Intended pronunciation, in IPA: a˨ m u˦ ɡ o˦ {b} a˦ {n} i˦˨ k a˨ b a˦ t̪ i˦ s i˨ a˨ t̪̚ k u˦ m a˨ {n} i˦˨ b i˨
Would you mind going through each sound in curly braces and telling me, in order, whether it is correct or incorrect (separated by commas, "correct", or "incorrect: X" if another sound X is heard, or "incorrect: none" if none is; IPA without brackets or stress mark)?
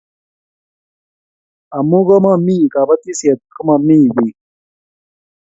incorrect: m, incorrect: m, incorrect: m